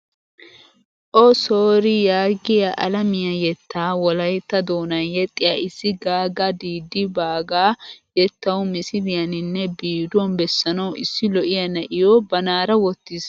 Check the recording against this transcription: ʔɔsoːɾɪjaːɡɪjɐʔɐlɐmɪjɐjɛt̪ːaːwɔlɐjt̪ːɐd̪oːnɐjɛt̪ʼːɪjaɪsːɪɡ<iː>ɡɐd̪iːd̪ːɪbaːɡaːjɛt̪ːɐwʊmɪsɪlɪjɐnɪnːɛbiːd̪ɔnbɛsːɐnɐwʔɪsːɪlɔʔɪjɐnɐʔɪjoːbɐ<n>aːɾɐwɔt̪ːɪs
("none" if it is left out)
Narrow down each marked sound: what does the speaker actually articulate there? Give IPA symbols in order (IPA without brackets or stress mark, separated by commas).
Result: aː, n